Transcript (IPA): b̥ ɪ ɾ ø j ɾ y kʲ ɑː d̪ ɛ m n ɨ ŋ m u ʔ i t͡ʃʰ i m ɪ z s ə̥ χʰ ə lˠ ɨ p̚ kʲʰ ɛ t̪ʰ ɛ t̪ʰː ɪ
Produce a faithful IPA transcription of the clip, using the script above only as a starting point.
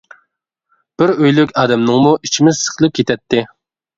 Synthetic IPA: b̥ ɪ ɾ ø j l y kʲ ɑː d̪ ɛ m n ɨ ŋ m u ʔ i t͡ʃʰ i m ɪ z s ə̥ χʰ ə lˠ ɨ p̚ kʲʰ e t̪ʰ ɛ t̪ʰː ɪ